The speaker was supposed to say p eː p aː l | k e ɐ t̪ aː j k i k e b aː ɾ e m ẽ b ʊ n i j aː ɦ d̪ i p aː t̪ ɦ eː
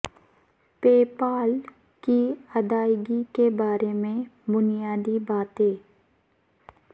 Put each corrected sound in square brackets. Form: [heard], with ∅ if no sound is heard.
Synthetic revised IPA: p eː p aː l | k [i] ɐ [d̪] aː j [ɡ] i k e b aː ɾ e m ẽ b ʊ n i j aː [∅] d̪ i [b] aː t̪ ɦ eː